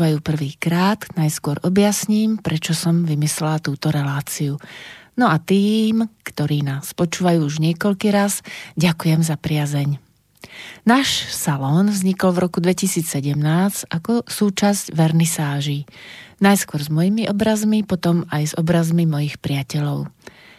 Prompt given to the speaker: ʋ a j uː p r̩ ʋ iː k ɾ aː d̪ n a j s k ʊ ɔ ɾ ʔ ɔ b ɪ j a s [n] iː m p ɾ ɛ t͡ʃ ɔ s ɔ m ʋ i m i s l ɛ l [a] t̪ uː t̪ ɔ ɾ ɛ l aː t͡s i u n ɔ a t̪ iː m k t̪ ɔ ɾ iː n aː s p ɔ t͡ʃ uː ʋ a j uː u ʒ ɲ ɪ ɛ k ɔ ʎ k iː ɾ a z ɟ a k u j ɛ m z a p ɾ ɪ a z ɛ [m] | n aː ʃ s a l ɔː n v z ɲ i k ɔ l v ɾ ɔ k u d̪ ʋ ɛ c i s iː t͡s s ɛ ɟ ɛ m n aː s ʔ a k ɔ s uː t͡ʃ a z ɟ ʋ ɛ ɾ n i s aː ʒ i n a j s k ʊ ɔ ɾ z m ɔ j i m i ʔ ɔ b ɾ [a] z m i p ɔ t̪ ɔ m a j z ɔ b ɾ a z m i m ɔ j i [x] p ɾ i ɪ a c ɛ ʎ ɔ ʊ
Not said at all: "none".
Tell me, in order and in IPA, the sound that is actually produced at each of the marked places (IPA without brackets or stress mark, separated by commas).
ɲ, a, ɲ, a, x